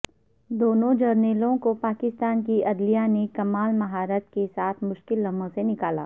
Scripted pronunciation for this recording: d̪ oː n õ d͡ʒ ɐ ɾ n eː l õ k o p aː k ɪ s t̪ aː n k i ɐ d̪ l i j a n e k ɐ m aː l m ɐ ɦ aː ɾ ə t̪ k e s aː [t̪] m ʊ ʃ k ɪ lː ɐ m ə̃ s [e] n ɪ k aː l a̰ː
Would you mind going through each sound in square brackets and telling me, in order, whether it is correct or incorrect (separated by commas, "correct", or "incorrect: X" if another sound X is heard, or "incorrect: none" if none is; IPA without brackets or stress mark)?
incorrect: t̪ʰ, correct